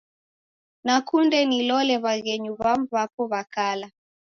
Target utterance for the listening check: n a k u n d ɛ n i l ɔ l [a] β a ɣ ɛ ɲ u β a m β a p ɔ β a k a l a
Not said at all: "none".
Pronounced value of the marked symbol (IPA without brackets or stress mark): ɛ